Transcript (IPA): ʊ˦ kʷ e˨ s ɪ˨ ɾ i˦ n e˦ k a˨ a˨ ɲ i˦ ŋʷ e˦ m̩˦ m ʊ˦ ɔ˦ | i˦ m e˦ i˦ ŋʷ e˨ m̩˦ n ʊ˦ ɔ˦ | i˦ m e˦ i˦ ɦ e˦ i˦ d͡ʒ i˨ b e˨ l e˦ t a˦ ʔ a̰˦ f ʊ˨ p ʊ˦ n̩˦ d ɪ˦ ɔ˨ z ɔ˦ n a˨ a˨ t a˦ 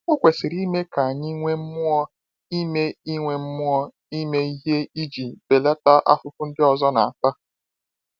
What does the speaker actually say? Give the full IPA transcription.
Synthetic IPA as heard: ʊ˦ kʷ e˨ s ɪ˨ ɾ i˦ m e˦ k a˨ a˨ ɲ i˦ ŋʷ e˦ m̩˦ m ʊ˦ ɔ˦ | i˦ m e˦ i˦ ŋʷ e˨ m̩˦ m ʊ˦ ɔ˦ | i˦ m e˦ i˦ ɦ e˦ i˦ d͡ʒ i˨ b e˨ l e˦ t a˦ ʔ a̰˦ f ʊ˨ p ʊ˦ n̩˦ d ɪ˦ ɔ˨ z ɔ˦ n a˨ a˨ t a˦

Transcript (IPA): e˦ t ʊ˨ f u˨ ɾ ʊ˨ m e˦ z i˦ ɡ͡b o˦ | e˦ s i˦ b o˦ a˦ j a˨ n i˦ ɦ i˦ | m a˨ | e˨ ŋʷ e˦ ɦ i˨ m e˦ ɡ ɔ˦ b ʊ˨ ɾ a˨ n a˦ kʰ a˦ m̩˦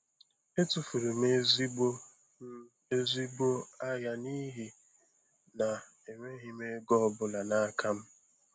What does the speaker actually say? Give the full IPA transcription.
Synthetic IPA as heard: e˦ t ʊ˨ f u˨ ɾ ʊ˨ m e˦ z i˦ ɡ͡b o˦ | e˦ z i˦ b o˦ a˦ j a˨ n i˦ ɦ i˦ | n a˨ | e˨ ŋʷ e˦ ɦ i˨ m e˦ ɡ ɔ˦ b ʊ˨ l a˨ n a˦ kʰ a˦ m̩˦

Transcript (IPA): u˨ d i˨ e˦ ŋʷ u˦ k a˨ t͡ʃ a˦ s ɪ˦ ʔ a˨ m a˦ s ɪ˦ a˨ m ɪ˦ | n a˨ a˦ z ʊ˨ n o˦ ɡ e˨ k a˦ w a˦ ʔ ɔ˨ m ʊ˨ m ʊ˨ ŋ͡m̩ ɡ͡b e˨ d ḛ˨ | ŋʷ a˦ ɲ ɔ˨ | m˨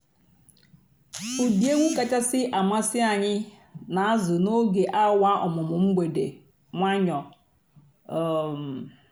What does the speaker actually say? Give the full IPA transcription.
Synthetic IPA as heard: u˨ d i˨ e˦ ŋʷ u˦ k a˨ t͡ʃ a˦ s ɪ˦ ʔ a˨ m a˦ s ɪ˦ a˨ ɲ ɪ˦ | n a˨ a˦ z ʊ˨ n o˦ ɡ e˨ ʔ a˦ w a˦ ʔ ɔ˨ m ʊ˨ m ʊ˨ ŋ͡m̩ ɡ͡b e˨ d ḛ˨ | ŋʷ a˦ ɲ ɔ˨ | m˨

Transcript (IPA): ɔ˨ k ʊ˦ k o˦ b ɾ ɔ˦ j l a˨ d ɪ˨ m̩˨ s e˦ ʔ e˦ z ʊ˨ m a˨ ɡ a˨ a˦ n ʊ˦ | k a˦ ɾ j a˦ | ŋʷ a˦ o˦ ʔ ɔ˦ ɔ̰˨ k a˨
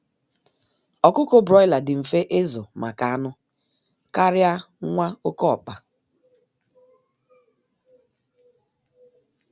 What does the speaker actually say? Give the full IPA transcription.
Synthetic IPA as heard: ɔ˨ k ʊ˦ k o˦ b ɾ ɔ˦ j l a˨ d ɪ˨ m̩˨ f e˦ ʔ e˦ z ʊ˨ m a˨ k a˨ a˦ n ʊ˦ | k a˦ ɾ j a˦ | ŋʷ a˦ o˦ k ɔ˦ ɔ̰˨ k͡p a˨

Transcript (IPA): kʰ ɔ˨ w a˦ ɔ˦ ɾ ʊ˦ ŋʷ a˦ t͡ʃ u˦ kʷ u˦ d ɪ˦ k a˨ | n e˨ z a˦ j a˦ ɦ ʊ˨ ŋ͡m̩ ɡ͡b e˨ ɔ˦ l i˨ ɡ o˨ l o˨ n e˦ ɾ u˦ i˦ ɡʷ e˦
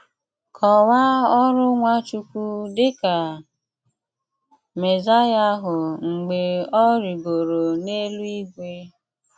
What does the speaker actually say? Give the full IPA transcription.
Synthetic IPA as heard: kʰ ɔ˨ w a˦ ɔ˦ ɾ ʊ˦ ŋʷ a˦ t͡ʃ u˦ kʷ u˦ d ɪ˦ k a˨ | m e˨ z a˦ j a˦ ɦ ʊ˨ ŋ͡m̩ ɡ͡b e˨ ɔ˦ ɾ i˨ ɡ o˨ ɾ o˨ n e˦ l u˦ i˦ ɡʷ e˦

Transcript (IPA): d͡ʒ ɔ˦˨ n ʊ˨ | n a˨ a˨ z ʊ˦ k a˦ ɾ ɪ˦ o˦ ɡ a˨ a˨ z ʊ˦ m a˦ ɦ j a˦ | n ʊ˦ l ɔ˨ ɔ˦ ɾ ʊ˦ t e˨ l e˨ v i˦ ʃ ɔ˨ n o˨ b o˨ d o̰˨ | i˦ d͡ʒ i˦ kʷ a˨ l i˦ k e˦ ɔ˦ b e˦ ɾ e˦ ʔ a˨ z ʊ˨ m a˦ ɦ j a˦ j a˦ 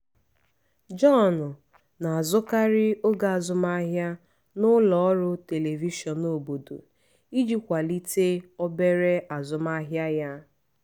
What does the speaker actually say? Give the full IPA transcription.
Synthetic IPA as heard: d͡ʒ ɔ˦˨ n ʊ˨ | n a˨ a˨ z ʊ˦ k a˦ ɾ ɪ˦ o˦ ɡ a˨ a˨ z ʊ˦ m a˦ ɦ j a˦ | n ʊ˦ l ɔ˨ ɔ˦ ɾ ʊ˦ t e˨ l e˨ v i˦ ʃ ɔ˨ n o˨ b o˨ d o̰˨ | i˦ d͡ʒ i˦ kʷ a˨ l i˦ t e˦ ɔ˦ b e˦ ɾ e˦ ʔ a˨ z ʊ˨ m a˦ ɦ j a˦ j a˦

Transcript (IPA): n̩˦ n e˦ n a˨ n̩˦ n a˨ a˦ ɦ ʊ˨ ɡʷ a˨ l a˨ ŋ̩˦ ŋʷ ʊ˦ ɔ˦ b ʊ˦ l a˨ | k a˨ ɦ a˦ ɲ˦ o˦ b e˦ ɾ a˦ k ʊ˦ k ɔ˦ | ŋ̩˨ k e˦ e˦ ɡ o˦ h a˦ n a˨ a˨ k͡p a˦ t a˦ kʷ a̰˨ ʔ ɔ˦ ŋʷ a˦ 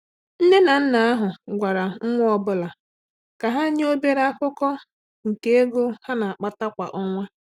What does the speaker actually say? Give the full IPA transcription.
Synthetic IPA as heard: n̩˦ n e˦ n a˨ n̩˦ n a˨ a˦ ɦ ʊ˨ ɡʷ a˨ ɾ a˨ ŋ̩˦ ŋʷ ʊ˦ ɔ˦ b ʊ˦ l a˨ | k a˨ ɦ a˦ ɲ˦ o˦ b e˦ ɾ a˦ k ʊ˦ k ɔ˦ | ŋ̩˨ k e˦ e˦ ɡ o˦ h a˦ n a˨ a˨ k͡p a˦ t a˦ kʷ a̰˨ ʔ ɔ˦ ŋʷ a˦

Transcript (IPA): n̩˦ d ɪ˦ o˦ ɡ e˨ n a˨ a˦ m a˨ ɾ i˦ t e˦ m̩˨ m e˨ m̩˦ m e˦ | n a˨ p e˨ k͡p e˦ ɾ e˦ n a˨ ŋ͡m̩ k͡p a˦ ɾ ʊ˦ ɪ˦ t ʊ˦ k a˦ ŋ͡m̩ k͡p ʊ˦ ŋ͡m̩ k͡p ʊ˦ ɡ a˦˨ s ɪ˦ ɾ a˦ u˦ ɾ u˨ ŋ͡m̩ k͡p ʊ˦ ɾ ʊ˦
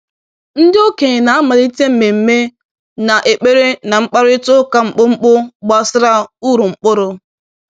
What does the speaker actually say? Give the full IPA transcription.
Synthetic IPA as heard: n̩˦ d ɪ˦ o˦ k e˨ n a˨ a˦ m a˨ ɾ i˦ t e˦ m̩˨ m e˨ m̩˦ m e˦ | n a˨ ʔ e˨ k͡p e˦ ɾ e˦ n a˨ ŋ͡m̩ k͡p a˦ ɾ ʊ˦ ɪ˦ t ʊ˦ k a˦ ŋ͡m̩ k͡p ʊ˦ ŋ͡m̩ k͡p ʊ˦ ɡ͡b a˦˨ s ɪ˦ ɾ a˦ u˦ ɾ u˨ ŋ͡m̩ k͡p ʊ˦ ɾ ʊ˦

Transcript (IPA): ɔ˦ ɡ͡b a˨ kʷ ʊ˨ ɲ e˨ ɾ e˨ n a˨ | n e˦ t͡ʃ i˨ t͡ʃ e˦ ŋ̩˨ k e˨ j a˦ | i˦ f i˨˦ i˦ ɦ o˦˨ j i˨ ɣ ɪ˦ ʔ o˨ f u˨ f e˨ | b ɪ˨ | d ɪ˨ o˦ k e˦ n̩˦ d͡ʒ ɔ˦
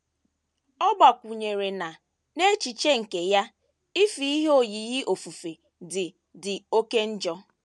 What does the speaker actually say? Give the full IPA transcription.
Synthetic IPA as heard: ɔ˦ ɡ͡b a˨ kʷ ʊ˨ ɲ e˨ ɾ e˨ n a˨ | n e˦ t͡ʃ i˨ t͡ʃ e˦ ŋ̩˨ k e˨ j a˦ | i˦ f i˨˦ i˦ ɦ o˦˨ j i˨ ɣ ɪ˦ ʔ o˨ f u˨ f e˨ | d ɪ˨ | d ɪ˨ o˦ k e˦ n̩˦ d͡ʒ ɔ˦

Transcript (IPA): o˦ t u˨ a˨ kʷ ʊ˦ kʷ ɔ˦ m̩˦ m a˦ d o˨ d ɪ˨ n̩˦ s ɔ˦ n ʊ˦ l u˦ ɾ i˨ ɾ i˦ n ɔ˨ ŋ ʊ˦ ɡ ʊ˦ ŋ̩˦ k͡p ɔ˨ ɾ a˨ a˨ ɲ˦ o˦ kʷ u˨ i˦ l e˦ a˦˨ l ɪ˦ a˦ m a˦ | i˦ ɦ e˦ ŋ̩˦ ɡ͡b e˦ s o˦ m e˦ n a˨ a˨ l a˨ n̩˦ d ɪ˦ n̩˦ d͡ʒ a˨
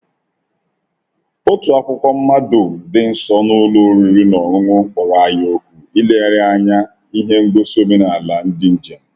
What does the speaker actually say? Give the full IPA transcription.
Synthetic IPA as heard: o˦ t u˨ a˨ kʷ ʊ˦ kʷ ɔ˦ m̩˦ m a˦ d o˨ d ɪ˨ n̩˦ s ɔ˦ n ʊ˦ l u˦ ɾ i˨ ɾ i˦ n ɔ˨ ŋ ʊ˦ ŋ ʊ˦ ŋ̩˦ k͡p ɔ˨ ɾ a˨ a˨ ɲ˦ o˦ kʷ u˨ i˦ l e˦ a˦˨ ɾ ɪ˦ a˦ ɲ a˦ | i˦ ɦ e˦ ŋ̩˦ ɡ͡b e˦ s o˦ m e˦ n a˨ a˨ l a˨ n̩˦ d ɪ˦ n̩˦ d͡ʒ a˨

